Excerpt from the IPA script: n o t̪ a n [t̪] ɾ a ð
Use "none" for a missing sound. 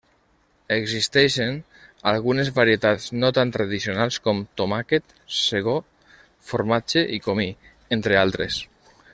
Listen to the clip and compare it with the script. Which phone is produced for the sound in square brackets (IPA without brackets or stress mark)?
t̪